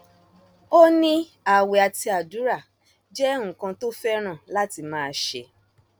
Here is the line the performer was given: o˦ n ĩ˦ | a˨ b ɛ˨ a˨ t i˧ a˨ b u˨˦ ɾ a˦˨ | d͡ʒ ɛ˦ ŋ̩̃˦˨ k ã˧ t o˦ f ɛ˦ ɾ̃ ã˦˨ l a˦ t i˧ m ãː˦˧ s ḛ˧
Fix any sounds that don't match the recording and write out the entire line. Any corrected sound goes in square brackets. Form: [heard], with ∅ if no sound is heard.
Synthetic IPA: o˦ n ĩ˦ | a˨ [w] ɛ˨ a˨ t i˧ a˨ [d] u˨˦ ɾ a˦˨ | d͡ʒ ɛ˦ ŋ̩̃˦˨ k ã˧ t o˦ f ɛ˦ ɾ̃ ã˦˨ l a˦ t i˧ m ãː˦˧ [ʃ] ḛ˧